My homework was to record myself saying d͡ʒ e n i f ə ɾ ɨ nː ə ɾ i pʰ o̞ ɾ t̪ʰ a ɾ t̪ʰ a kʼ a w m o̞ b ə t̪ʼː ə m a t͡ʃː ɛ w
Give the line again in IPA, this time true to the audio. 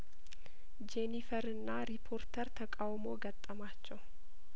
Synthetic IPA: d͡ʒ e n i f ə ɾ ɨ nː a ɾ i pʰ o̞ ɾ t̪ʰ ə ɾ t̪ʰ ə kʼ a w m o̞ ɡ ə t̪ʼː ə m a t͡ʃː ɛ w